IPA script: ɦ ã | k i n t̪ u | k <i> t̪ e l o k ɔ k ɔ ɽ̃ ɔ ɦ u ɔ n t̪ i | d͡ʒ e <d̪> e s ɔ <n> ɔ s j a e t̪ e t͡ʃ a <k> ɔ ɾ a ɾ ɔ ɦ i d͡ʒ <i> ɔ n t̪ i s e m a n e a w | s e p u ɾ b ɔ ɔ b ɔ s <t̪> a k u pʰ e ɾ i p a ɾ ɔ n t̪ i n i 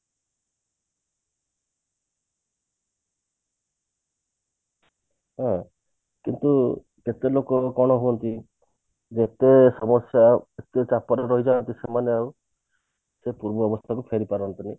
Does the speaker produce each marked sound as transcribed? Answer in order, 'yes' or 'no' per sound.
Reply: no, no, no, no, no, no

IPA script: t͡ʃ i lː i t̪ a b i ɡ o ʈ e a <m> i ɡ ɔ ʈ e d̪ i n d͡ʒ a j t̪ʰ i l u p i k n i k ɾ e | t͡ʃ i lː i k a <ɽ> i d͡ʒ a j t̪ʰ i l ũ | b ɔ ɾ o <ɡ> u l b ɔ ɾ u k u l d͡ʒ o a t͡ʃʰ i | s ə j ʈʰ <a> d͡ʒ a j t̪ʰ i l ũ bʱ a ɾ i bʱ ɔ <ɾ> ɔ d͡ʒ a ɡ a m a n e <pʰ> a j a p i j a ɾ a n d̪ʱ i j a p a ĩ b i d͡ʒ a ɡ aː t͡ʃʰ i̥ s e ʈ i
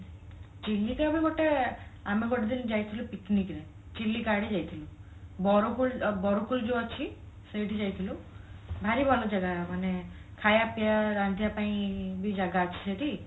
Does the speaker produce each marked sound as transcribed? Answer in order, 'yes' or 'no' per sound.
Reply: yes, yes, no, no, no, no

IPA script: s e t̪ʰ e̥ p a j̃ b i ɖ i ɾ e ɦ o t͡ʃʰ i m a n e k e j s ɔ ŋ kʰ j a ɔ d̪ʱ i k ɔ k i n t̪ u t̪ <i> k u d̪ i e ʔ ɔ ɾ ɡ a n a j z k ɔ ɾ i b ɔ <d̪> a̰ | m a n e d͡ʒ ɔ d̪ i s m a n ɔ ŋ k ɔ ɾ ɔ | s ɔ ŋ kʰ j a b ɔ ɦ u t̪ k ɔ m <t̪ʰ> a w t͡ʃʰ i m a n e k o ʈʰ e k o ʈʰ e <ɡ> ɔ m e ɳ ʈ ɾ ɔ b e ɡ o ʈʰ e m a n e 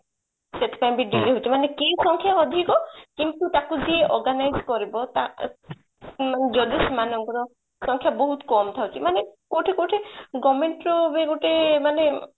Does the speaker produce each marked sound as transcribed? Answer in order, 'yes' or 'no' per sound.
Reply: no, no, yes, yes

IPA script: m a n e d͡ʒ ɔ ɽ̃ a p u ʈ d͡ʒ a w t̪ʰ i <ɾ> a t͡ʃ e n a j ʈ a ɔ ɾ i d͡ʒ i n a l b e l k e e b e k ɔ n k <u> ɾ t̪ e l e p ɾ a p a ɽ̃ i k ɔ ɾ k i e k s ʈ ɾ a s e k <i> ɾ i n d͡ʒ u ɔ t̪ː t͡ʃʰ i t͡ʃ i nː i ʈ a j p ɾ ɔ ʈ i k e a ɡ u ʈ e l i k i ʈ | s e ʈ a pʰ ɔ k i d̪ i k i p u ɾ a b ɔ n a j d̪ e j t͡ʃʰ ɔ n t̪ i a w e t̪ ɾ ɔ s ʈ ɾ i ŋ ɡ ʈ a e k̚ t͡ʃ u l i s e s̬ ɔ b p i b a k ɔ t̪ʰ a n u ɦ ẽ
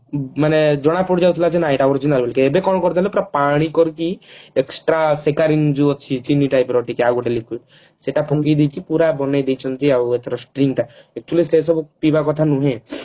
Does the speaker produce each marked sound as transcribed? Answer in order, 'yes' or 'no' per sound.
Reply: no, no, no

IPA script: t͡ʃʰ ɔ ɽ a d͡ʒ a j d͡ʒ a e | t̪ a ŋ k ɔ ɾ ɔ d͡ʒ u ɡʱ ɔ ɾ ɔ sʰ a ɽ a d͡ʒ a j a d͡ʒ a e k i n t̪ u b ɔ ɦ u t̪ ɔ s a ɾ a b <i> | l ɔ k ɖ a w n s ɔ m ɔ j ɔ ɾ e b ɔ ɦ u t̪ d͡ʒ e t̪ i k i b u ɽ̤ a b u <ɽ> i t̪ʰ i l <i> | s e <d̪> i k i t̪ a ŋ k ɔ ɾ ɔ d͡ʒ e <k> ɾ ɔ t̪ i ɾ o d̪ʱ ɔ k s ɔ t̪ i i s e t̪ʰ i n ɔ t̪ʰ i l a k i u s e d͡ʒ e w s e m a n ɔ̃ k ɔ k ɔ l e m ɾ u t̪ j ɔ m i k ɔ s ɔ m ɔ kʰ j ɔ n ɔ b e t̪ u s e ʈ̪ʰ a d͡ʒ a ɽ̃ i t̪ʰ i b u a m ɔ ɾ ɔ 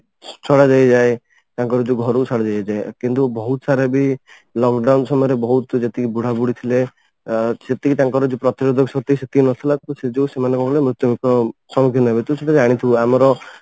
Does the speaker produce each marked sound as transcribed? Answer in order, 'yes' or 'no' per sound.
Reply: yes, yes, no, no, no

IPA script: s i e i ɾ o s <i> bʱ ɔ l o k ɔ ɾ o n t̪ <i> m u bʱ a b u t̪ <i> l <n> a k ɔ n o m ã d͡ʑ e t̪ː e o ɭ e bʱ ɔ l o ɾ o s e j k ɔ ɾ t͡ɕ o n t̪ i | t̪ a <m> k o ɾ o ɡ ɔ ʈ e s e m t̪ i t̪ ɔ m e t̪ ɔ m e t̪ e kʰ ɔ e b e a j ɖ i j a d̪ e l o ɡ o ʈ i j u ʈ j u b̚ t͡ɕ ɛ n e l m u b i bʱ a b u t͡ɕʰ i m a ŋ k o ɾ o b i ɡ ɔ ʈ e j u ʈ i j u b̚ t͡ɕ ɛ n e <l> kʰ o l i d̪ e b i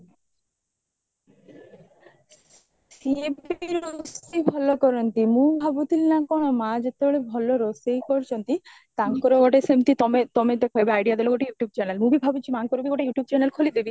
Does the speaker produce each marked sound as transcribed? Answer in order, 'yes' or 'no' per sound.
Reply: yes, yes, yes, yes, no, yes

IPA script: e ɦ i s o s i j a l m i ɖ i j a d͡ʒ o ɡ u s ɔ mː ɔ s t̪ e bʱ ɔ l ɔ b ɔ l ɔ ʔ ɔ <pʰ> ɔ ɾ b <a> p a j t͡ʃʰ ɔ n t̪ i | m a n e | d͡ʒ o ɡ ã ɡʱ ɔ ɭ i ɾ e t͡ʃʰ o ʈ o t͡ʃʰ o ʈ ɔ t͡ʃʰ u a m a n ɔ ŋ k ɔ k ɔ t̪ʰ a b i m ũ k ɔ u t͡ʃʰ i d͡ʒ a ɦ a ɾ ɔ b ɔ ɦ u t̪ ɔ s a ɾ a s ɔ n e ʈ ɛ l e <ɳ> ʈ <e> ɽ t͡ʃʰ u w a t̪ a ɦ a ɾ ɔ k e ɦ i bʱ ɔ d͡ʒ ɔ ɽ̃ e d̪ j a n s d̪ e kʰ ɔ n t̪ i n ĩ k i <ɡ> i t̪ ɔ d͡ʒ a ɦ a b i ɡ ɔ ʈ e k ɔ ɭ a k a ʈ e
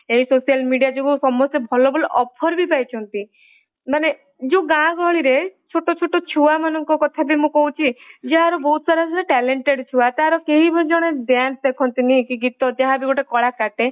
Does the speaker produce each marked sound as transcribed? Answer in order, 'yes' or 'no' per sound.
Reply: yes, no, yes, yes, yes

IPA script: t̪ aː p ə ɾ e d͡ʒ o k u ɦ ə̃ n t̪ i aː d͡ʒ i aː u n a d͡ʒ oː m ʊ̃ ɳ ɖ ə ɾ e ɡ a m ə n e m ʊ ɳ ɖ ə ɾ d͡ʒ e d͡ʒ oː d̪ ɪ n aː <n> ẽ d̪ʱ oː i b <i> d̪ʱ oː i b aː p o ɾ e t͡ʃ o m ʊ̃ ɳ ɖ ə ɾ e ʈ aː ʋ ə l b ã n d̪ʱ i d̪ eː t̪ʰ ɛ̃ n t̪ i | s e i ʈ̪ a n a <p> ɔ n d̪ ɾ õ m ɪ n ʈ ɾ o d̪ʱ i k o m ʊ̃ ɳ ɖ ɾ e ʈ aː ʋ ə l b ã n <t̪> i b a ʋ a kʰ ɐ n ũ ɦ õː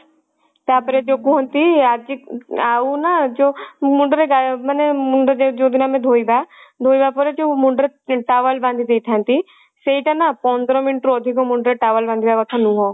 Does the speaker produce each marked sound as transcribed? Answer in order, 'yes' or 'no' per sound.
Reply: no, no, yes, no

